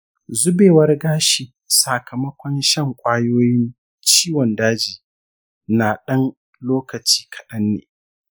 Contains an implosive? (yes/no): yes